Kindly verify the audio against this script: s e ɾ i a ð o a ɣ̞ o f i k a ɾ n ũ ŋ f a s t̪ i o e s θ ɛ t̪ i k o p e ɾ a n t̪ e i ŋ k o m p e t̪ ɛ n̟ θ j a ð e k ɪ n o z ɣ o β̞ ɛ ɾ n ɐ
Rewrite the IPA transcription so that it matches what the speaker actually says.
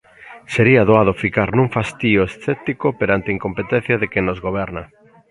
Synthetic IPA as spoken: s e ɾ i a ð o a ð̞ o f i k a ɾ n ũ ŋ f a s t̪ i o e s θ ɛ t̪ i k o p e ɾ a n t̪ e i ŋ k o m p e t̪ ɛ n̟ θ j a ð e k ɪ n o z ɣ o β̞ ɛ ɾ n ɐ